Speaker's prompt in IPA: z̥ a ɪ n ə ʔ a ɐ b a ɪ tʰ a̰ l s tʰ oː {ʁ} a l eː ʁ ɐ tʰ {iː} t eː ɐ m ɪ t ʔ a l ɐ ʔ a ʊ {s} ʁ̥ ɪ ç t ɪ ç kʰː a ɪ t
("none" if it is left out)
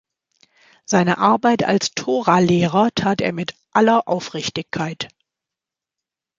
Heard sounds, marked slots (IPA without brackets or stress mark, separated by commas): ʁ, aː, f